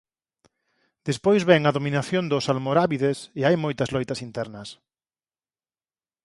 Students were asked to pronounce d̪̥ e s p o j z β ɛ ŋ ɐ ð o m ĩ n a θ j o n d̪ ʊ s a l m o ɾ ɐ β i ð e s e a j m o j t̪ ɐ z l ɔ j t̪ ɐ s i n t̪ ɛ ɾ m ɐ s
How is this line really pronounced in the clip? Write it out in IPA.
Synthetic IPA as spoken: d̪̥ e s p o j z β ɛ ŋ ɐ ð o m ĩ n a θ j o n d̪ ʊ s a l m o ɾ a β i ð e s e a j m o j t̪ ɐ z l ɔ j t̪ ɐ s i n t̪ ɛ ɾ n ɐ s